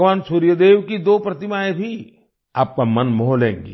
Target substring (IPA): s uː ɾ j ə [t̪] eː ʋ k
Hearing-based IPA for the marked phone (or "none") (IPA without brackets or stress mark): d̪